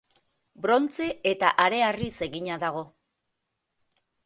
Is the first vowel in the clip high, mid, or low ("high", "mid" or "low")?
mid